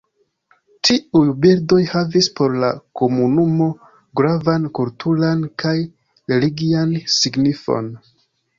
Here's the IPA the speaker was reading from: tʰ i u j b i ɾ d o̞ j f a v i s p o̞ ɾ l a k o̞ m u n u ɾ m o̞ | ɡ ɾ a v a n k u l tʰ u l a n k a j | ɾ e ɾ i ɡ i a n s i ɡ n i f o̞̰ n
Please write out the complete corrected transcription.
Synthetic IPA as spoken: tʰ i u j b i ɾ d o̞ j h a v i s p o̞ ɾ l a k o̞ m u n u m o̞ | ɡ ɾ a v a n k u l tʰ u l a n k a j | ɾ e l i ɡ i a n s i ɡ n i f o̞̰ n